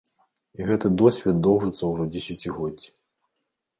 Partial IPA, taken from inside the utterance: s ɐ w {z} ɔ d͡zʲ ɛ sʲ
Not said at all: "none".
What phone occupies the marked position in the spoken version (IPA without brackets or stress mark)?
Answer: ʐ